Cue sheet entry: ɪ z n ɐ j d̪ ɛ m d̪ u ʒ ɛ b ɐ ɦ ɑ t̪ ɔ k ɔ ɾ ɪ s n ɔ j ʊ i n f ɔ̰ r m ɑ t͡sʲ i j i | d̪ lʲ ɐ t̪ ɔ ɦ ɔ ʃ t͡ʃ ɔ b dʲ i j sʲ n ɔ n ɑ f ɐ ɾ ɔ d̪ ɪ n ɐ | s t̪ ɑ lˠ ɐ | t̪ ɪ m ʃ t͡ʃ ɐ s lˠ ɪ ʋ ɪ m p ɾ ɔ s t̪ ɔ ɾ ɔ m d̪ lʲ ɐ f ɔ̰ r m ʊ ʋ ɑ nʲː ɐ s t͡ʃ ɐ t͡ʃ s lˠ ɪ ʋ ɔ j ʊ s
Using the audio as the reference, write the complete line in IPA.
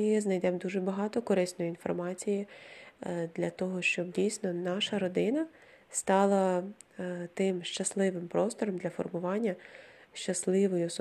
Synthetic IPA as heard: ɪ z n ɐ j d̪ ɛ m d̪ u ʒ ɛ b ɐ ɦ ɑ t̪ ɔ k ɔ ɾ ɪ s n ɔ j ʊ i n f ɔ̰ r m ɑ t͡sʲ i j i | d̪ lʲ ɐ t̪ ɔ ɦ ɔ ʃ t͡ʃ ɔ b dʲ i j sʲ n ɔ n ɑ ʃ ɐ ɾ ɔ d̪ ɪ n ɐ | s t̪ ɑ lˠ ɐ | t̪ ɪ m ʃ t͡ʃ ɐ s lˠ ɪ ʋ ɪ m p ɾ ɔ s t̪ ɔ ɾ ɔ m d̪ lʲ ɐ f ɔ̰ r m ʊ ʋ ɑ nʲː ɐ ʃ t͡ʃ ɐ s lˠ ɪ ʋ ɔ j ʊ s